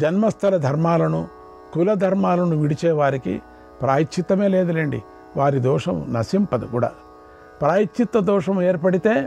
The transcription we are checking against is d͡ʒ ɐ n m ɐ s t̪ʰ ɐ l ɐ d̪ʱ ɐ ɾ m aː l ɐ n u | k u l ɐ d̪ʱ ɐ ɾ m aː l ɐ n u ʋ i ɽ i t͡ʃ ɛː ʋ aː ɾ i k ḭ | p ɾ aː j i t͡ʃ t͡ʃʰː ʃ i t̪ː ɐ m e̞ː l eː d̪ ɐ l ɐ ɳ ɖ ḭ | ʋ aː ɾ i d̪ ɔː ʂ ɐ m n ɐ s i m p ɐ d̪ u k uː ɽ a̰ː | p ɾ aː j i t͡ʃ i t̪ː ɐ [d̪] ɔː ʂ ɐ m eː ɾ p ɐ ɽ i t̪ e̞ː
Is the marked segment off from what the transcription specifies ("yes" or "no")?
no